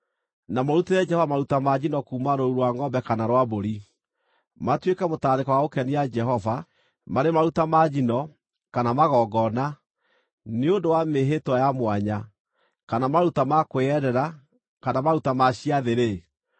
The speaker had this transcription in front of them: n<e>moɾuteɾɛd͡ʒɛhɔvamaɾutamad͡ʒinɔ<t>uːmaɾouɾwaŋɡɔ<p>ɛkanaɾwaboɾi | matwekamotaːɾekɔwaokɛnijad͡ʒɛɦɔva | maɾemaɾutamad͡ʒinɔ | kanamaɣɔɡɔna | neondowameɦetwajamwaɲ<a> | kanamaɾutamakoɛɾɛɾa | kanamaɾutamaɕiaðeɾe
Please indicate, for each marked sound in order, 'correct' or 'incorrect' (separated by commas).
incorrect, incorrect, incorrect, correct